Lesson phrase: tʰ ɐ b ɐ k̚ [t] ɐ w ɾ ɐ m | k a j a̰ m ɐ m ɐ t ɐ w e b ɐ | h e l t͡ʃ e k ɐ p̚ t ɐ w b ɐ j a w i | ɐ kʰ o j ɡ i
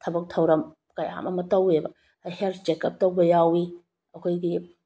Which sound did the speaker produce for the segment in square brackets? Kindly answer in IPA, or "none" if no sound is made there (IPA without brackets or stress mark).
tʰ